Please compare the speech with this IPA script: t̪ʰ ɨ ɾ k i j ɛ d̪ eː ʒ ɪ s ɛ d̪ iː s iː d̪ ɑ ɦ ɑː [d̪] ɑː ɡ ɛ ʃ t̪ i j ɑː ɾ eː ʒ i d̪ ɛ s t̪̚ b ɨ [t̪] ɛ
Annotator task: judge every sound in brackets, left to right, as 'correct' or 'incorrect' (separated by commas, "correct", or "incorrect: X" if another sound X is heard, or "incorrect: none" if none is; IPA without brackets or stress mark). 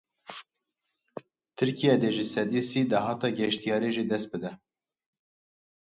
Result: incorrect: t̪, incorrect: d̪